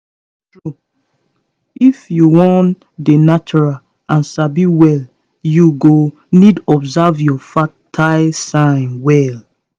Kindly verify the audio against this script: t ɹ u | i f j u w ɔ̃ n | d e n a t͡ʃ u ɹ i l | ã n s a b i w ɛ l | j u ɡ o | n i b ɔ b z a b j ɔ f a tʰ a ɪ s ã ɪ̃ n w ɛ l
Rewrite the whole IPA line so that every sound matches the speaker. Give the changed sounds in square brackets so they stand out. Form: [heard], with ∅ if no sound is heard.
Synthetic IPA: t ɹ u | i f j u w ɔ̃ n | d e n a t͡ʃ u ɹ [a] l | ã n s a b i w ɛ l | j u ɡ o | n i [d] ɔ b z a [v] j ɔ f a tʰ a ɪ s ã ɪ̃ n w ɛ l